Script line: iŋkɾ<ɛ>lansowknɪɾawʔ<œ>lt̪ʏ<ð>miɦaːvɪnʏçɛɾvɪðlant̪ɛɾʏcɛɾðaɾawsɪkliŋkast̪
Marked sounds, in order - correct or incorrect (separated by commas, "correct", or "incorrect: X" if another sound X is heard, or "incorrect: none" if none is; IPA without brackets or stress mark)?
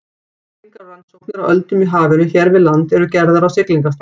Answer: incorrect: a, correct, incorrect: none